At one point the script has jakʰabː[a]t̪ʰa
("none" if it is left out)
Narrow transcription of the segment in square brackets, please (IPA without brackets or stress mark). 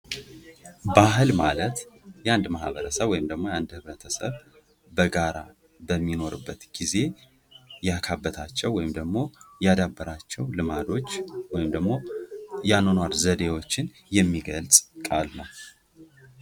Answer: ə